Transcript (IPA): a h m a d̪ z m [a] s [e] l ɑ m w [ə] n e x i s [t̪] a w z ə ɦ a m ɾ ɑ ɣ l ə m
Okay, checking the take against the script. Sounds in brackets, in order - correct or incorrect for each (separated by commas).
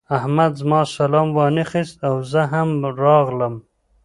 incorrect, incorrect, incorrect, correct